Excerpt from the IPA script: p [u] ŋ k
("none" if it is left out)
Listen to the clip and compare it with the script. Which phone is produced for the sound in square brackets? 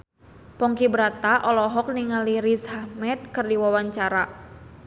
ɔ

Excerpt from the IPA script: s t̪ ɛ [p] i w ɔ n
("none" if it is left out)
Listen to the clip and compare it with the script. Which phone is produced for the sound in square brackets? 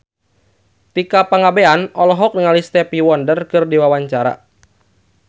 p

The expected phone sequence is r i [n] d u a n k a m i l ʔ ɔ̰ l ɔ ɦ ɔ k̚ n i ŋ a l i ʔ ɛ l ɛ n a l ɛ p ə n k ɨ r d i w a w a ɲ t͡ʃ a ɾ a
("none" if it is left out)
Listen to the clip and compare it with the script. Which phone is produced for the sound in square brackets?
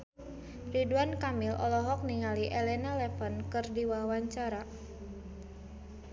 none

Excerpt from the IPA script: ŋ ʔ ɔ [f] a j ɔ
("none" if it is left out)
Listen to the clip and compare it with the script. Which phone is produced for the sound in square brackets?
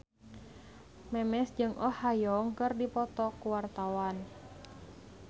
h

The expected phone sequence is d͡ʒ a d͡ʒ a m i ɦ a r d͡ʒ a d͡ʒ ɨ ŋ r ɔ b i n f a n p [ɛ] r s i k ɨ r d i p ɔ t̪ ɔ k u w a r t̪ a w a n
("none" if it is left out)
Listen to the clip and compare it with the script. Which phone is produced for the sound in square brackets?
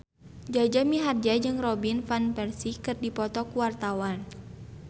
ɛ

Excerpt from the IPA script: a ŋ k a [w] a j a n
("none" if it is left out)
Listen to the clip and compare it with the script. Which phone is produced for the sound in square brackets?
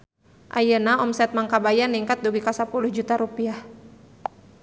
b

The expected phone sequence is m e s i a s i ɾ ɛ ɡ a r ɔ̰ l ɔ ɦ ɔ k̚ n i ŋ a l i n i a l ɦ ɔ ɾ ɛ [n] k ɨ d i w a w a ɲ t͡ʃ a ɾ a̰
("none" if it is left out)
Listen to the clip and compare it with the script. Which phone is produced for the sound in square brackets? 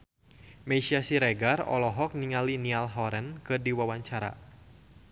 n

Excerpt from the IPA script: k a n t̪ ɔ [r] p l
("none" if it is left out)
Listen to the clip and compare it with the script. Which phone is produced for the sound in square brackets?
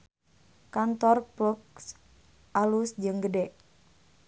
r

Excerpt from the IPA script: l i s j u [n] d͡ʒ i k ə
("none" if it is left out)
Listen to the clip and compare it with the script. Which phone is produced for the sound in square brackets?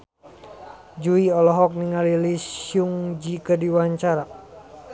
ŋ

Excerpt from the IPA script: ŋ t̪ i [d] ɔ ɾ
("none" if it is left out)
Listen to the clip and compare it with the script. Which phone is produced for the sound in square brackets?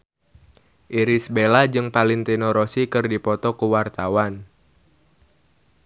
n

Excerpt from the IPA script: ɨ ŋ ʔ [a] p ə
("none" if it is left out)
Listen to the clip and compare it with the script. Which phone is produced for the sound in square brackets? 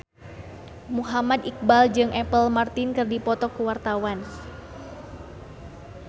ɛ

